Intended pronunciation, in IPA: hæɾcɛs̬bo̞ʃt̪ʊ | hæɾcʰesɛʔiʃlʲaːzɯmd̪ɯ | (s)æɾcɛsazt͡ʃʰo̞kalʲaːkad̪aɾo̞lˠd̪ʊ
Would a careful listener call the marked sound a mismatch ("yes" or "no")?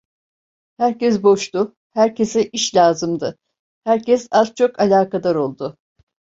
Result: yes